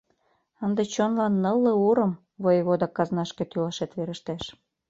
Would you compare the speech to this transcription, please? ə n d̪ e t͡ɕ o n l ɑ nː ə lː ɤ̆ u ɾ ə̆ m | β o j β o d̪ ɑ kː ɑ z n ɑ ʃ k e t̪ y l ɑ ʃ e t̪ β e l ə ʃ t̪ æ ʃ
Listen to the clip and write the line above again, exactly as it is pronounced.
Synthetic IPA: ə n d̪ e t͡ɕ o n l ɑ nː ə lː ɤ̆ u ɾ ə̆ m | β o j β o d̪ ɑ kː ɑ z n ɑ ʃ k e t̪ y l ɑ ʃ e t̪ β e ɾ ə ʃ t̪ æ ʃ